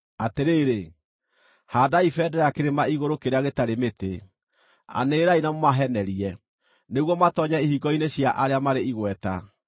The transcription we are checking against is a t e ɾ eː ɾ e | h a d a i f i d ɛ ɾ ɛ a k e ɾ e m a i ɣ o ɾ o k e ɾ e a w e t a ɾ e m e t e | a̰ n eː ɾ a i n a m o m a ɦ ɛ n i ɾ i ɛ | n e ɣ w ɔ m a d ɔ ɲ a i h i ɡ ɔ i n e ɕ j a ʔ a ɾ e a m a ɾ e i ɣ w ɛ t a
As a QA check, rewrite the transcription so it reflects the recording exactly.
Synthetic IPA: a t e ɾ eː ɾ e | h a d a i f ɛ d ɛ ɾ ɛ a k e ɾ e m a i ɣ o ɾ o k e ɾ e a ɣ e t a ɾ e m e t e | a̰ n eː ɾ a i n a m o m a ɦ ɛ n ɛ ɾ i ɛ | n e ɣ w ɔ m a t ɔ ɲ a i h i ɡ ɔ i n e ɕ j a ʔ a ɾ e a m a ɾ e i ɣ w ɛ t a